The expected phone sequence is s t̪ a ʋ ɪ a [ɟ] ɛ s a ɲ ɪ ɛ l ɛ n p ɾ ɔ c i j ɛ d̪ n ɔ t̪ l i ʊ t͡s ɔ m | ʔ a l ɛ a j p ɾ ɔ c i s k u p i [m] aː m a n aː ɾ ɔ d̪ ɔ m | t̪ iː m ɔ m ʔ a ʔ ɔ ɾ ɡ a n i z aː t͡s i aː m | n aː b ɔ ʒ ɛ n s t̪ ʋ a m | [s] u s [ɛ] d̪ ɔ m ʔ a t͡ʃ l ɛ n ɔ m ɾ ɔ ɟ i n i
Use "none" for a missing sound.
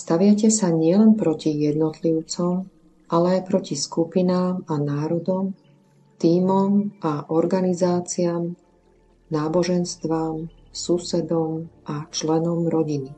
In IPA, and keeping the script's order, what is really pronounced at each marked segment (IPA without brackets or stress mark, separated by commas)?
c, n, s, ɛ